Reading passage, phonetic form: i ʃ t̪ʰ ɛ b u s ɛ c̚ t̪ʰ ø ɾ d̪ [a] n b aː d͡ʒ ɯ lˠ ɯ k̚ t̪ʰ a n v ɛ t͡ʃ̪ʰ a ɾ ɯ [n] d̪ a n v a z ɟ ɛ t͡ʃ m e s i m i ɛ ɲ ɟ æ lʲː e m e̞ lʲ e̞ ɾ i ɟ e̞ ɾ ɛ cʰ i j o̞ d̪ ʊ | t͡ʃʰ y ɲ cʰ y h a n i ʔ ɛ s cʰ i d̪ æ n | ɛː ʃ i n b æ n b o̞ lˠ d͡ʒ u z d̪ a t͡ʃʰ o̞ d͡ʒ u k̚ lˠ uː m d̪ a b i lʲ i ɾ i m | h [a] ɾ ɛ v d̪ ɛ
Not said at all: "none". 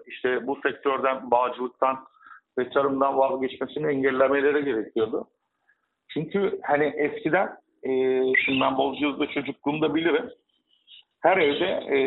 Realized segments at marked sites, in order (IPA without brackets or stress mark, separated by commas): æ, m, æ